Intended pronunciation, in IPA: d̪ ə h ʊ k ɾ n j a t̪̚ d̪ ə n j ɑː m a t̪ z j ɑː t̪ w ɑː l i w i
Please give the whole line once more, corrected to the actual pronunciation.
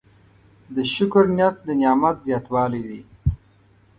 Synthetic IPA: d̪ ə ʃ ʊ k ɾ n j a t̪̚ d̪ ə n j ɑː m a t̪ z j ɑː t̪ w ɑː l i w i